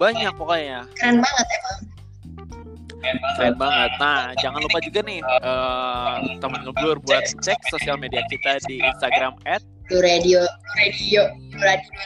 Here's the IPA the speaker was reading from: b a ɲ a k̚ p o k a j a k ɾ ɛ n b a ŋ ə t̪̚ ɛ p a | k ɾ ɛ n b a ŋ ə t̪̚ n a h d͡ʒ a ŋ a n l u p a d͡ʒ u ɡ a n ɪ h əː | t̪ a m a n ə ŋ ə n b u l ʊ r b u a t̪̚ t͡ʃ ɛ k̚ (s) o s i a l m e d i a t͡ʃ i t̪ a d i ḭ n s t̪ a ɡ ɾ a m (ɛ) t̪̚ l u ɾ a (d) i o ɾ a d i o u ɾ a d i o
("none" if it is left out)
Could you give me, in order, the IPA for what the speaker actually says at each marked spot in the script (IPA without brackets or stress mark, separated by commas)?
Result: s, ɛ, d